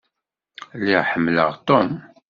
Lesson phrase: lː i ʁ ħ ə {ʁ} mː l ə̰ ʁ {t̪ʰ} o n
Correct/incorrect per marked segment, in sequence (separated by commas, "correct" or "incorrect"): incorrect, incorrect